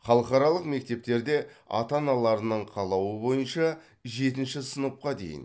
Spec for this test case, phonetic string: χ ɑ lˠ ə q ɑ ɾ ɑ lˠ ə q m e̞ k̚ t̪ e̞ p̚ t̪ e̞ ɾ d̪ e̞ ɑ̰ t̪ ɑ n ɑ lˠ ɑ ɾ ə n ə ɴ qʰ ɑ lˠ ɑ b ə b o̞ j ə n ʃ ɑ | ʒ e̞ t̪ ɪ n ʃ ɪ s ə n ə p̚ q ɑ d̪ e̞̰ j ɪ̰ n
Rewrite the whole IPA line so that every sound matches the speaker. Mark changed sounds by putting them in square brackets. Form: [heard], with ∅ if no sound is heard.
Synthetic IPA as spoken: χ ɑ lˠ ə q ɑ ɾ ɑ lˠ ə q m e̞ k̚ t̪ e̞ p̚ t̪ e̞ ɾ d̪ e̞ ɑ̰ t̪ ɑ n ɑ lˠ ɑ ɾ ə n ə ɴ qʰ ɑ lˠ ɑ [w] ə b o̞ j ə n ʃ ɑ | ʒ e̞ t̪ ɪ n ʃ ɪ s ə n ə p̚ q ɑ d̪ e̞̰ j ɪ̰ n